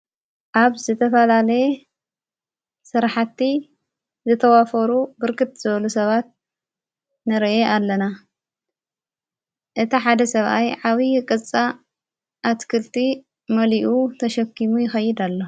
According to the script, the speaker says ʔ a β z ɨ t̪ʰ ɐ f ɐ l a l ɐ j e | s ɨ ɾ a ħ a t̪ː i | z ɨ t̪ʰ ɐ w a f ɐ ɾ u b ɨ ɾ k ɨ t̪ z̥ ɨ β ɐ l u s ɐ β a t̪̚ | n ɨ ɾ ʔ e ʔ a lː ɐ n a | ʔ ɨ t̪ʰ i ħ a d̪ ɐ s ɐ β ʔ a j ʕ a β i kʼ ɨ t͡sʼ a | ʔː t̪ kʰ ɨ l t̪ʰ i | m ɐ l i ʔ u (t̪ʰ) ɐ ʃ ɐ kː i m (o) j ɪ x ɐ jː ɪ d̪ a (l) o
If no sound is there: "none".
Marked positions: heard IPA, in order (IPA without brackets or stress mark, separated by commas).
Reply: t̪ʰ, u, lː